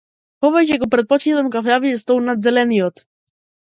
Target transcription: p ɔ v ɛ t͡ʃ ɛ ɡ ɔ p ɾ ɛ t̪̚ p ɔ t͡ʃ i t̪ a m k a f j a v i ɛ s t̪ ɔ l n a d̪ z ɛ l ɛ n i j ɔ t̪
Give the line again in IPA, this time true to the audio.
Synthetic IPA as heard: p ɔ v ɛ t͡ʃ ɛ ɡ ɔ p ɾ ɛ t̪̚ p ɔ t͡ʃ i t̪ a m k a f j a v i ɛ s t̪ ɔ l n a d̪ z ɛ l ɛ n i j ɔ t̪